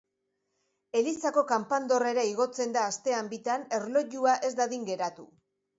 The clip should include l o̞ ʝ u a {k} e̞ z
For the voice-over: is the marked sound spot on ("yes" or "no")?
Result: no